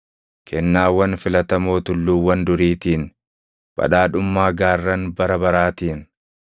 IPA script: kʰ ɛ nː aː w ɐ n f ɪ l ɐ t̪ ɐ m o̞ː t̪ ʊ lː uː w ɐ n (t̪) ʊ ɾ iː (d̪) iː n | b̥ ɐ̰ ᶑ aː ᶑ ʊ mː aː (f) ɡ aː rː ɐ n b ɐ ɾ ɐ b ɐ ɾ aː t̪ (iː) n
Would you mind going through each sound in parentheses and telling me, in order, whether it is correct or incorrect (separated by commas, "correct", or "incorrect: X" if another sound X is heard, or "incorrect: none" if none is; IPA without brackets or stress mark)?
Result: incorrect: d̪, incorrect: t̪, incorrect: none, correct